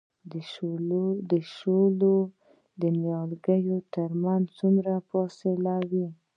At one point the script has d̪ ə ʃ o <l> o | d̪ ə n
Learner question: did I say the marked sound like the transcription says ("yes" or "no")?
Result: yes